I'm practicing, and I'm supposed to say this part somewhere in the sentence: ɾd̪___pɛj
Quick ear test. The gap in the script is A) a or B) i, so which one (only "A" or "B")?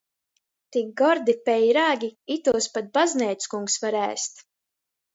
B